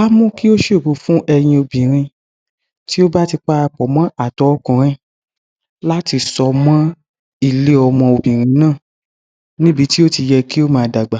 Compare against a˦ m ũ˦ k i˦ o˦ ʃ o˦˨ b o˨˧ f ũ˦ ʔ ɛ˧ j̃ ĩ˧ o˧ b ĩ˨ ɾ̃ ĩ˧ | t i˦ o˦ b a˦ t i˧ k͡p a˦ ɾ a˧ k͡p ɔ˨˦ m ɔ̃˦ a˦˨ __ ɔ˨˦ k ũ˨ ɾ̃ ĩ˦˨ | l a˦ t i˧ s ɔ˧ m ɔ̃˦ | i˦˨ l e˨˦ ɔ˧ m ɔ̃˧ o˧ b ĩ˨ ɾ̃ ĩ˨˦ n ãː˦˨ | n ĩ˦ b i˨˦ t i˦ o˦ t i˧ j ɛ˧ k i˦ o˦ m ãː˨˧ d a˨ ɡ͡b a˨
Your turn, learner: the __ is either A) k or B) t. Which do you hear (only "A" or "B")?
B